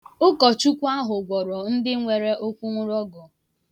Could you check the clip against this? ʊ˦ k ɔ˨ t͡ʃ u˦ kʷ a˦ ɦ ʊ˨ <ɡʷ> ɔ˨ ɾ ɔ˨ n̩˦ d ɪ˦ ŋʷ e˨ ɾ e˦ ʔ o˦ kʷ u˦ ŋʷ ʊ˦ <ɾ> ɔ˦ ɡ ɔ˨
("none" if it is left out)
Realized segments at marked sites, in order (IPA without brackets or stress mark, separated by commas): ɡʷ, ɾ